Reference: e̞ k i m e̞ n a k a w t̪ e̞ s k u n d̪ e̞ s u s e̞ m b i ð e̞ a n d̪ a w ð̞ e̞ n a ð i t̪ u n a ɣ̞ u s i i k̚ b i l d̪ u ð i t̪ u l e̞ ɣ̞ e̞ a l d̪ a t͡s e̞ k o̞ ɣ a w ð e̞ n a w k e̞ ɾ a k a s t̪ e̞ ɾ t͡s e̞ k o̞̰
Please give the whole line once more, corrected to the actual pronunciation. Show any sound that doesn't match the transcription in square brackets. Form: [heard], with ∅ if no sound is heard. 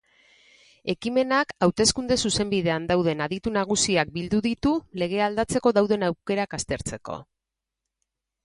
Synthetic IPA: e̞ k i m e̞ n a k a w t̪ e̞ s k u n d̪ e̞ s u s e̞ m b i ð e̞ a n d̪ a w ð̞ e̞ n a ð i t̪ u n a ɣ̞ u s i [a] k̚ b i l d̪ u ð i t̪ u l e̞ ɣ̞ e̞ a l d̪ a t͡s e̞ k o̞ [ð] a w ð e̞ n a w k e̞ ɾ a k a s t̪ e̞ ɾ t͡s e̞ k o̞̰